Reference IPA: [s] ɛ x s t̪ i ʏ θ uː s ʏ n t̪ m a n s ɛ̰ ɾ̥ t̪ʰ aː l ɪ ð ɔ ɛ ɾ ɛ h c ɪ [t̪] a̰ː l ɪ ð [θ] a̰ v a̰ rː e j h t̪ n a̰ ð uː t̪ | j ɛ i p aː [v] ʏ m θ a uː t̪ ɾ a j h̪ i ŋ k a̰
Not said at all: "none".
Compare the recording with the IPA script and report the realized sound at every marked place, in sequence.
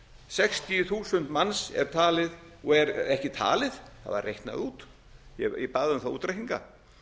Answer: s, t̪ʰ, θ, ð

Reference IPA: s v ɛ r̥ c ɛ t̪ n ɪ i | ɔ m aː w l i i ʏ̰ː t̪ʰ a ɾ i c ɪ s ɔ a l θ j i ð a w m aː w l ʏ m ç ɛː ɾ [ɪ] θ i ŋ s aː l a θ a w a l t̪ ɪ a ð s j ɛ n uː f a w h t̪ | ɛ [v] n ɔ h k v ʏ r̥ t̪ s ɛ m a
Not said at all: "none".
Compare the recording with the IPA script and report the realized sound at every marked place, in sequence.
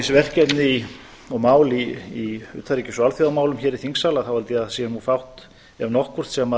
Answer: i, v

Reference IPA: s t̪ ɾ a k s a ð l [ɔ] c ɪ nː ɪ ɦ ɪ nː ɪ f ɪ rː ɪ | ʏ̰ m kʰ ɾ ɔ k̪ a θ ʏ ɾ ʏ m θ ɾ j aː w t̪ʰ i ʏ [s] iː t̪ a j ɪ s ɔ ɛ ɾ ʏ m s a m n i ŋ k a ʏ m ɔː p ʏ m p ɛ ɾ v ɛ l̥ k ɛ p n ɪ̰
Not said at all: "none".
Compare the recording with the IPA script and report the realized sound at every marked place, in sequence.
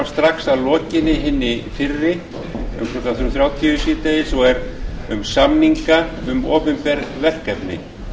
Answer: ɔː, s

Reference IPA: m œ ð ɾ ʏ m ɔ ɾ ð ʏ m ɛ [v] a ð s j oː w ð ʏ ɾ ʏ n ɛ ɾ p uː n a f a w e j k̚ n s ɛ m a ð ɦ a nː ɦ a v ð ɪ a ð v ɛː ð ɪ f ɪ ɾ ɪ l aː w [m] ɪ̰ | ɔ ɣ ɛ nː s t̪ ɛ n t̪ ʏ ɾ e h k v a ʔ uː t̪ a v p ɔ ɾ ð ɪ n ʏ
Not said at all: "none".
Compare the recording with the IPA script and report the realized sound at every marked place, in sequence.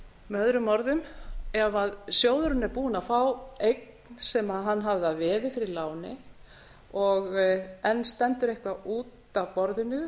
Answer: v, n

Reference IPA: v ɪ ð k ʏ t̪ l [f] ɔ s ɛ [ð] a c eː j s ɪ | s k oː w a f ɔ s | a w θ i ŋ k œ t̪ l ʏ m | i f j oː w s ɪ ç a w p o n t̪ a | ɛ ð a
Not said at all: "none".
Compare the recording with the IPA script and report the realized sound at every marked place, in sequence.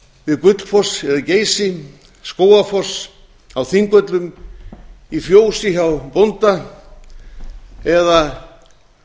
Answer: f, ð

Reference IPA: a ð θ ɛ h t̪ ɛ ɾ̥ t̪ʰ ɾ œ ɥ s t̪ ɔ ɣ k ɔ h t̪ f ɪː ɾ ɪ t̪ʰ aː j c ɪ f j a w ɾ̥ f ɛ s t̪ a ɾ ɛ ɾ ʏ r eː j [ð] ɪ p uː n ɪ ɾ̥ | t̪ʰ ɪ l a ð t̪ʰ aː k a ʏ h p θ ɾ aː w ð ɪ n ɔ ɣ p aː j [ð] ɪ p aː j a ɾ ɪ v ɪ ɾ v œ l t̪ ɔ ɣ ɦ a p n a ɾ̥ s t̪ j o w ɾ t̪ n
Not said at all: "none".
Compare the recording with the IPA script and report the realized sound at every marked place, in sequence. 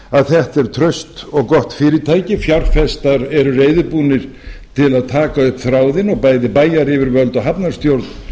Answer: ð, ð

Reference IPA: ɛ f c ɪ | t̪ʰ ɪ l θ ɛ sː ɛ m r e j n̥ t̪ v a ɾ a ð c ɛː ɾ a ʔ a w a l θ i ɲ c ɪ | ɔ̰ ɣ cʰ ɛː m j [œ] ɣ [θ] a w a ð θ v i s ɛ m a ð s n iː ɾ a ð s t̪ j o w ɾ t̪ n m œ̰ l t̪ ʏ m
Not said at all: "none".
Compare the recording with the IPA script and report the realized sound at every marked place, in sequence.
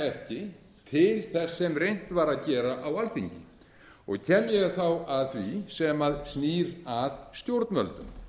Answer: ɛ, θ

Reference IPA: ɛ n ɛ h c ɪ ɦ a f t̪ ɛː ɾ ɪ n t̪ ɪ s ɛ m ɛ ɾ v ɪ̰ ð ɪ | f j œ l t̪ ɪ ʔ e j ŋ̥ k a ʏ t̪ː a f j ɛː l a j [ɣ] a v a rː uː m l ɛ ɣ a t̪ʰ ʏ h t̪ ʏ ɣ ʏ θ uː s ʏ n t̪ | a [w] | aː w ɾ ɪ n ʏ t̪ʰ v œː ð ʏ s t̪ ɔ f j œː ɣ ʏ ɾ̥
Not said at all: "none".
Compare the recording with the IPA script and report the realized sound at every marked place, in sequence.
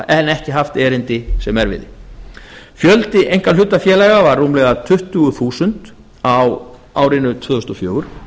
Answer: ɣ, w

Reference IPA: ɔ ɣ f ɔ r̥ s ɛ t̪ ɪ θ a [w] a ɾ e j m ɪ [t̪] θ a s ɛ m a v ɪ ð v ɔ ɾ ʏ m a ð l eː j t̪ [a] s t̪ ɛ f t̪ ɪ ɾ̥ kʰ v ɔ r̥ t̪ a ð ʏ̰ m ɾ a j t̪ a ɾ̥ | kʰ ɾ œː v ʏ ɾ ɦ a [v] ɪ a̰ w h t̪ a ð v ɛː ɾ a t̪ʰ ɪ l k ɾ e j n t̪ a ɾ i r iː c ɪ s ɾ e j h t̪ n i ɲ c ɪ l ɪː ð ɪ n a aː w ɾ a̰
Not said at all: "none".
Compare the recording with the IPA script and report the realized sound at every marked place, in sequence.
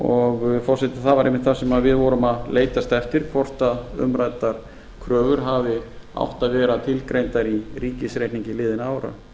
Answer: v, t̪, a, v

